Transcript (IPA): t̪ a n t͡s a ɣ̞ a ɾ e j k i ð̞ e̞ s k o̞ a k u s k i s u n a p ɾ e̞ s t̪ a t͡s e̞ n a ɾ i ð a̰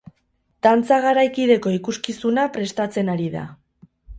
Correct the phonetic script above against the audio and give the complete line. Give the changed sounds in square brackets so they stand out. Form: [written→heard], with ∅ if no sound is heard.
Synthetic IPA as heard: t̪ a n t͡s a ɣ̞ a ɾ [e→a] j k i ð̞ e̞ [s→∅] k o̞ [a→i] k u s k i s u n a p ɾ e̞ s t̪ a t͡s e̞ n a ɾ i ð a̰

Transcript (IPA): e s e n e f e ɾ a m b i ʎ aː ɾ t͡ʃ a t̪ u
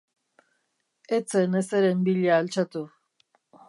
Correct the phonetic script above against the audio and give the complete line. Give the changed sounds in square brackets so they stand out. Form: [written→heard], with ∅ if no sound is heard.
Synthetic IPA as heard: e [s→t͡s] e n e [f→s] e ɾ [a→e] m b i ʎ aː [ɾ→l] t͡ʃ a t̪ u

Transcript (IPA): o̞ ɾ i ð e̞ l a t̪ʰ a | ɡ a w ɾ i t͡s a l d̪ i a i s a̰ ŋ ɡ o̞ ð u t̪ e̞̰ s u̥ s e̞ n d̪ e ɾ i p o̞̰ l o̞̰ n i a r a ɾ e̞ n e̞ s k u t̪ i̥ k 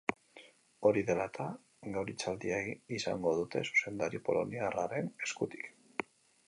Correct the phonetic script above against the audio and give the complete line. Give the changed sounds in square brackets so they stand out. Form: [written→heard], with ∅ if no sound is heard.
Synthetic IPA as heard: o̞ ɾ i ð e̞ l a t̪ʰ a | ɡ a w ɾ i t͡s a l d̪ i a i s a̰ ŋ ɡ o̞ ð u t̪ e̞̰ s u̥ s e̞ n d̪ [e→a] ɾ i p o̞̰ l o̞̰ n i a r a ɾ e̞ n e̞ s k u t̪ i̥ k

